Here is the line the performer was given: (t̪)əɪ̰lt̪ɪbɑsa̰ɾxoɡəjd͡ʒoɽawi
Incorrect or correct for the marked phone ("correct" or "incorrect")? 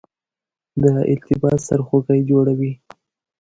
incorrect